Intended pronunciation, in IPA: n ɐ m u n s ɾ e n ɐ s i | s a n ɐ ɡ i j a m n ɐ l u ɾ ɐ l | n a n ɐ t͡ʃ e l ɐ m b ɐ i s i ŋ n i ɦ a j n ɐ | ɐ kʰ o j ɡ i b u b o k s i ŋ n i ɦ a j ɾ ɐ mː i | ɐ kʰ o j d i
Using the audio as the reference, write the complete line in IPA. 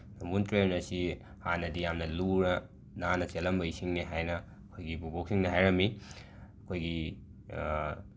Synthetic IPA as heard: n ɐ m u n t ɾ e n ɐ s i | h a n ɐ d i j a m n ɐ l u ɾ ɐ | n a n ɐ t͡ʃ e l ɐ m b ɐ i s i ŋ n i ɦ a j n ɐ | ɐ kʰ o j ɡ i b u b o k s i ŋ n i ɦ a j ɾ ɐ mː i | ɐ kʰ o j ɡ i

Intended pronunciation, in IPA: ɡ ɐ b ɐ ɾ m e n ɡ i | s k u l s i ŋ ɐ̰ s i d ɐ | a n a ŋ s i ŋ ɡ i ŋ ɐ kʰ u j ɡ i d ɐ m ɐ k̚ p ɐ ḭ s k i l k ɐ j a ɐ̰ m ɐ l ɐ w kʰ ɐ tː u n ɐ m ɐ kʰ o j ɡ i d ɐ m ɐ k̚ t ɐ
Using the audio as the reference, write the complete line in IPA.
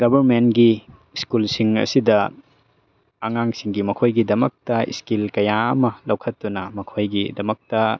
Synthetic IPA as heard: ɡ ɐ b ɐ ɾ m e n ɡ i | s k u l s i ŋ ɐ̰ s i d ɐ | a ŋ a ŋ s i ŋ ɡ i m ɐ kʰ o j ɡ i d ɐ m ɐ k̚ t ɐ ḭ s k i l k ɐ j a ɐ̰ m ɐ l ɐ w kʰ ɐ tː u n ɐ m ɐ kʰ o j ɡ i d ɐ m ɐ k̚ t ɐ

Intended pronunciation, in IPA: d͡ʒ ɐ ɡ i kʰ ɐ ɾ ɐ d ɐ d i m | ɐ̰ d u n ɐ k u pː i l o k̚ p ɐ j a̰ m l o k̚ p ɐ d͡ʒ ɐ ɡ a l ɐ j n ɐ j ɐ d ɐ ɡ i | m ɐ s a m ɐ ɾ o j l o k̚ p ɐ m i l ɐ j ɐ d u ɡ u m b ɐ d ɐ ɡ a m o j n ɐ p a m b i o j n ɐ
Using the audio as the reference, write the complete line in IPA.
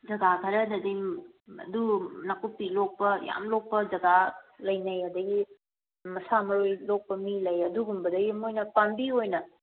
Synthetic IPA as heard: d͡ʒ ɐ ɡ a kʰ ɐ ɾ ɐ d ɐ d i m | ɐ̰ d u n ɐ k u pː i l o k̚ p ɐ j a̰ m l o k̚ p ɐ d͡ʒ ɐ ɡ a l ɐ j n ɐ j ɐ d ɐ ɡ i | m ɐ s a m ɐ ɾ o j l o k̚ p ɐ m i l ɐ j ɐ d u ɡ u m b ɐ d ɐ ɡ i m o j n ɐ p a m b i o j n ɐ

